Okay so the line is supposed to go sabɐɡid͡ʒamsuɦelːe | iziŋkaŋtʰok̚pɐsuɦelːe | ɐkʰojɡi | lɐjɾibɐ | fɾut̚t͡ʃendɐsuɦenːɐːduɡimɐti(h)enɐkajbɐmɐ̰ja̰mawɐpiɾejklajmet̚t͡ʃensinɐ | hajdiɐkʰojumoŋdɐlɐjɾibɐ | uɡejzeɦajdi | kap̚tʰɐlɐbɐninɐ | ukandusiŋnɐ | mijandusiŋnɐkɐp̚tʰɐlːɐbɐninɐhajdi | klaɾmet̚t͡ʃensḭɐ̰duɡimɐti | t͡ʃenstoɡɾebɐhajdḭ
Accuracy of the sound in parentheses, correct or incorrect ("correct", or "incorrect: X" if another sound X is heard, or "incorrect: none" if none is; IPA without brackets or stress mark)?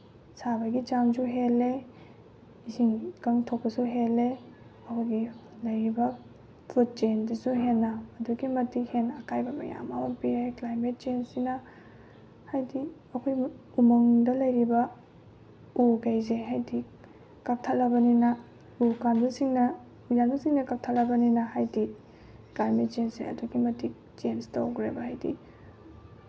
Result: correct